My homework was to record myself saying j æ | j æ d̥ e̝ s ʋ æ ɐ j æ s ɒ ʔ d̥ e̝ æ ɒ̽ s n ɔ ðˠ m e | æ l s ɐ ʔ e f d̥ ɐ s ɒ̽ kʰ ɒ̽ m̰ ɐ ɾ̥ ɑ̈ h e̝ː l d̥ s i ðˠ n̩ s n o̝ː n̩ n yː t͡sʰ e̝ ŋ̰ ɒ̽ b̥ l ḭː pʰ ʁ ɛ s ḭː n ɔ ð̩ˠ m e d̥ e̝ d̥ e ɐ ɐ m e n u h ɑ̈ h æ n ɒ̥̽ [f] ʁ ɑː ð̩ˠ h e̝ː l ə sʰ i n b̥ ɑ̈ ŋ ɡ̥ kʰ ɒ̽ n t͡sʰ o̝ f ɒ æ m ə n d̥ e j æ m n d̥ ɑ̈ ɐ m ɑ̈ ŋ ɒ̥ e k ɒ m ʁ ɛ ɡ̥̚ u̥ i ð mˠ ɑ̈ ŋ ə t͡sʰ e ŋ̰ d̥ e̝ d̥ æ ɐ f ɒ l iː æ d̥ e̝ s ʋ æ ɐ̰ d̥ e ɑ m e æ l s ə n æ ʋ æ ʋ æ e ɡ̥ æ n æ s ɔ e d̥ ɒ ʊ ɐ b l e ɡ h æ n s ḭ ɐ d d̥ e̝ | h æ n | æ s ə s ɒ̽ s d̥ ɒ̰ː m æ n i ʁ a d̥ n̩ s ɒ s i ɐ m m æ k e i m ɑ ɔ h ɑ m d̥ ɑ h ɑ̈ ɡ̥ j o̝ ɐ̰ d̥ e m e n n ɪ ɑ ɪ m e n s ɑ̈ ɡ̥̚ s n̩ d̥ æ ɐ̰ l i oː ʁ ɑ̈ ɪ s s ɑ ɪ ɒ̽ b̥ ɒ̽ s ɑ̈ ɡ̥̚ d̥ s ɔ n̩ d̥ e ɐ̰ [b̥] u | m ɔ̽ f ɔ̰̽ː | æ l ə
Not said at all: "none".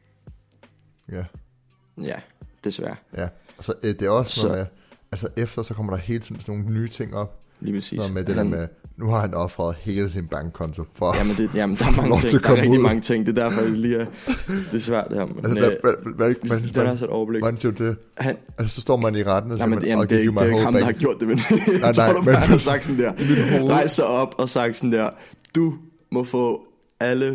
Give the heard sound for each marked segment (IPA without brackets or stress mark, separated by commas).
f, d̥